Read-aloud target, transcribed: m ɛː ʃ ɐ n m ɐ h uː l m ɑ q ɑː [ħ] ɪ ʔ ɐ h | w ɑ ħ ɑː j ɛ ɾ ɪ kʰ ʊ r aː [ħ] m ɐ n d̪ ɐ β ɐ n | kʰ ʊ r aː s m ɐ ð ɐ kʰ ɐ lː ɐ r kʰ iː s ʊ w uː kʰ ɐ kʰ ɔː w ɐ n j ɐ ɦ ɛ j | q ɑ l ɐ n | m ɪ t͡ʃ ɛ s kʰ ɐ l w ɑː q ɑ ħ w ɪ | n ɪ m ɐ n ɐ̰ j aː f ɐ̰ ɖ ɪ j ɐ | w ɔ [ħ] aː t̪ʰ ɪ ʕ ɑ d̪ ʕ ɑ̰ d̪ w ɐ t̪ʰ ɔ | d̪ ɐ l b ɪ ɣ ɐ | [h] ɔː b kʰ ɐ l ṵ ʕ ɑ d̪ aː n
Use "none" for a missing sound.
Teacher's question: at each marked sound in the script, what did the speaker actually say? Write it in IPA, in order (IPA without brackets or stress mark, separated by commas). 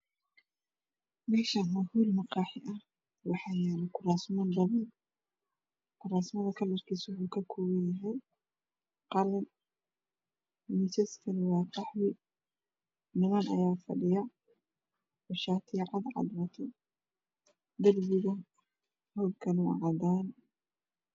ħ, s, ʃ, h